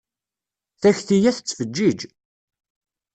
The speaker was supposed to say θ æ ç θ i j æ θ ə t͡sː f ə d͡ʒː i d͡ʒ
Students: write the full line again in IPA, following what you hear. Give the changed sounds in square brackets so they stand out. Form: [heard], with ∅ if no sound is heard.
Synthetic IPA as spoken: θ æ ç θ i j æ θ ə t͡sː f ə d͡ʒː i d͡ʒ